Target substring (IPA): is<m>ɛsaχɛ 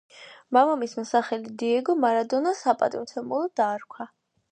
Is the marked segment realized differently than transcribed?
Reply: no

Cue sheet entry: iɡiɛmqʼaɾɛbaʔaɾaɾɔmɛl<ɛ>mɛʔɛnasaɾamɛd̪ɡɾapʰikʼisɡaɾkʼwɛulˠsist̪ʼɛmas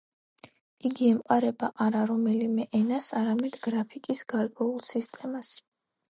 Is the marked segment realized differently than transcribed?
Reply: yes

